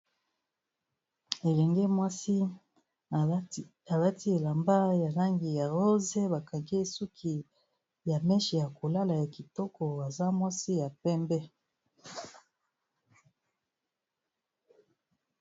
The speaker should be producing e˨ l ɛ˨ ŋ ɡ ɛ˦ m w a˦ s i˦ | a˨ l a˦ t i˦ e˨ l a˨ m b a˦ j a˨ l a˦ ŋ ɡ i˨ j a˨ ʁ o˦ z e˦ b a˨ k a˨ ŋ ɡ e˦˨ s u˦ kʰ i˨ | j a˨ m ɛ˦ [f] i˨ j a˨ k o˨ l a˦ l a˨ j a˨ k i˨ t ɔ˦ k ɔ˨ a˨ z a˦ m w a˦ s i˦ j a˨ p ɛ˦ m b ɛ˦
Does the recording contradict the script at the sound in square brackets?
yes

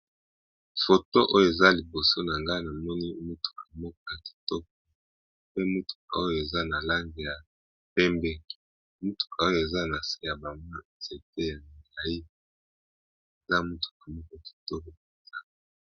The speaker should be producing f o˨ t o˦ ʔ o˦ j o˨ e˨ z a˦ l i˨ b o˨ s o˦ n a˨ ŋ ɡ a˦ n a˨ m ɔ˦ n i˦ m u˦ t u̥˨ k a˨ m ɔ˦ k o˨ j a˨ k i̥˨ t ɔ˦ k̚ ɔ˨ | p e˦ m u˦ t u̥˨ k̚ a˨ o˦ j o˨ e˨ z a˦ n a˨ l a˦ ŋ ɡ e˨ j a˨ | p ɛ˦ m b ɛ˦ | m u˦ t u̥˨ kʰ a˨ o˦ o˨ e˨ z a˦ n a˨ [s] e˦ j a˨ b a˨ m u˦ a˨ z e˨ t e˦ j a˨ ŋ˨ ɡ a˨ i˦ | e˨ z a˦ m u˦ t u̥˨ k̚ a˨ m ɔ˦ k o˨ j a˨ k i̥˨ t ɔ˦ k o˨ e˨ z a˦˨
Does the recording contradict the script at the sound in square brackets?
no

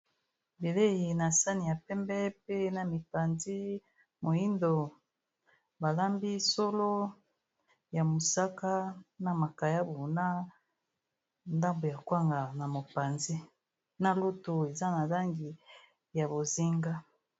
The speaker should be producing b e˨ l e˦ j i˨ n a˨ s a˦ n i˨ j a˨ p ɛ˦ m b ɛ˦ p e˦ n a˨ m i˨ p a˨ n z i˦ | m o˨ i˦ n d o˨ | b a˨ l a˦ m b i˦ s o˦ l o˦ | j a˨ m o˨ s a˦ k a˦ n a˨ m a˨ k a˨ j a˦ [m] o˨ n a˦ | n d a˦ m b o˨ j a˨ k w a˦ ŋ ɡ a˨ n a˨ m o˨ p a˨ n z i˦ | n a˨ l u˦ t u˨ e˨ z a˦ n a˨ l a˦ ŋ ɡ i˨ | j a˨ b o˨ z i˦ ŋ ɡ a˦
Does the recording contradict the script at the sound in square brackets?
yes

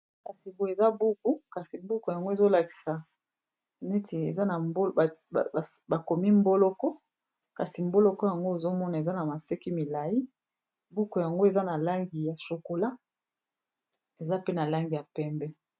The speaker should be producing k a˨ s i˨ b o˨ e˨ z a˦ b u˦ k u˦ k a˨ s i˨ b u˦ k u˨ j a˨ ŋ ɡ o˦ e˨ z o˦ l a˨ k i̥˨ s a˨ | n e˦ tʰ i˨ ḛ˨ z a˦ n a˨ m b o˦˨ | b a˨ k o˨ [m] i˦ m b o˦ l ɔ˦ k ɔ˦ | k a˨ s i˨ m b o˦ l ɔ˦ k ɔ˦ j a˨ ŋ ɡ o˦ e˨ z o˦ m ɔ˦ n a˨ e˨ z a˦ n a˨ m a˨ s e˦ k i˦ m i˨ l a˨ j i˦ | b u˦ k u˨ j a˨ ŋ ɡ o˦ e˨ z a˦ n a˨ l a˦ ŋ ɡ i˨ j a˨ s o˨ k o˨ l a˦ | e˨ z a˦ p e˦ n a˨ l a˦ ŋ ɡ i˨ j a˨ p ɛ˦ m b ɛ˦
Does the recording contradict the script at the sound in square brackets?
no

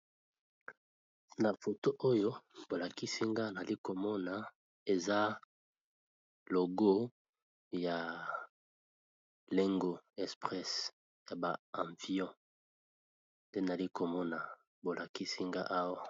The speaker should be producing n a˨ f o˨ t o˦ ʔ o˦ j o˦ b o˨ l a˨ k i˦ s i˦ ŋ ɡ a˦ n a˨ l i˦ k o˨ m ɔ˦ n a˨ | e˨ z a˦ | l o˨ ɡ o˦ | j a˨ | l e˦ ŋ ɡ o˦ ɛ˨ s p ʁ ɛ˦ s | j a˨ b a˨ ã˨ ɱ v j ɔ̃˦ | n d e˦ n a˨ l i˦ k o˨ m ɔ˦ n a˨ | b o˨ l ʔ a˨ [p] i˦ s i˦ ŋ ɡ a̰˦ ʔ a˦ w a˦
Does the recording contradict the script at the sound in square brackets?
yes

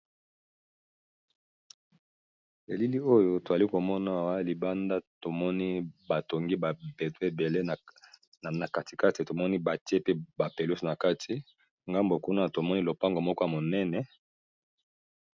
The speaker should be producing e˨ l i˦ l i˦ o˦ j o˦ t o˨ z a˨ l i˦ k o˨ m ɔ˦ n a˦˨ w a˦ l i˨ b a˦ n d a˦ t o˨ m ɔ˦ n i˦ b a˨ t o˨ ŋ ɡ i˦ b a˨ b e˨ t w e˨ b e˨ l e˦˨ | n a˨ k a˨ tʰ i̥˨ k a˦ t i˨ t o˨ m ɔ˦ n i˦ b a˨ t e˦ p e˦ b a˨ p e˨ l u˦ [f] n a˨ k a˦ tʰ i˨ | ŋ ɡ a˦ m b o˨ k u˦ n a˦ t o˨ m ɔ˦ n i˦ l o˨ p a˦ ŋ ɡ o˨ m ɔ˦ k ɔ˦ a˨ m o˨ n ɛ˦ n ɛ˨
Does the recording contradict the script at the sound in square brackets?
yes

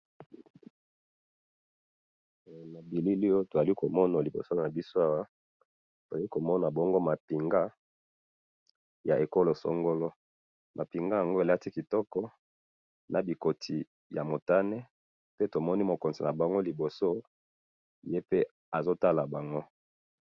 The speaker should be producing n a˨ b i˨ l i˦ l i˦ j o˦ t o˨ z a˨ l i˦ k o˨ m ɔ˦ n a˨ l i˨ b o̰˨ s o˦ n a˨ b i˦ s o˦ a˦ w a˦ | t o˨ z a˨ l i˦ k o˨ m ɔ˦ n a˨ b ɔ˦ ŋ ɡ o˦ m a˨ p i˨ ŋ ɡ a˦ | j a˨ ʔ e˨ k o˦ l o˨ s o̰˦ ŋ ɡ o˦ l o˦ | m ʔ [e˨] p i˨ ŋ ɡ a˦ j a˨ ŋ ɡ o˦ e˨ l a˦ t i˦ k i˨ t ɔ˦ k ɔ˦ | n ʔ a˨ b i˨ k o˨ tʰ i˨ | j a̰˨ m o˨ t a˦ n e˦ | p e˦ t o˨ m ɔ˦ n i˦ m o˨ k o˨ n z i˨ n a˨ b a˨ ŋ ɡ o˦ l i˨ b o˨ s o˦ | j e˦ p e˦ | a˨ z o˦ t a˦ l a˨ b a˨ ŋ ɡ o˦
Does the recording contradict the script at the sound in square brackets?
yes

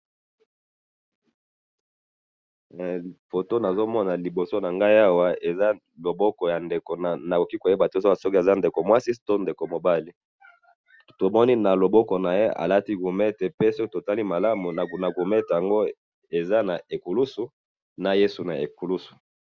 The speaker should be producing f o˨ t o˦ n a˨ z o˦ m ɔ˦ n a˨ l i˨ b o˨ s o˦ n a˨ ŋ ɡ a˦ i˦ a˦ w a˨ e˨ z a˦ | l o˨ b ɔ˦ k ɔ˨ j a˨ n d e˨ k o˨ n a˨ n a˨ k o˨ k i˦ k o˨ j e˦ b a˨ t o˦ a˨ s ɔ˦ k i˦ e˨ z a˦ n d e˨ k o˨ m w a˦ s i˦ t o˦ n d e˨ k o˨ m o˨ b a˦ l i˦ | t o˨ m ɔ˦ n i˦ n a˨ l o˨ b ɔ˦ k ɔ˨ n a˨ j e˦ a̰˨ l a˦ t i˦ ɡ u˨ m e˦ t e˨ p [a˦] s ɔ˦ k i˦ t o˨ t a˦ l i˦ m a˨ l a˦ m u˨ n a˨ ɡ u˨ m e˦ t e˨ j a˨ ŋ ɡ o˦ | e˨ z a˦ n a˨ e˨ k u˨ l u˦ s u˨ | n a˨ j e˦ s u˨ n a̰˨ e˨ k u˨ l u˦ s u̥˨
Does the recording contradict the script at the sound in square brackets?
yes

